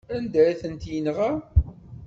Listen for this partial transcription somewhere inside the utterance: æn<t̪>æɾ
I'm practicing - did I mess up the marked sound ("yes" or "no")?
yes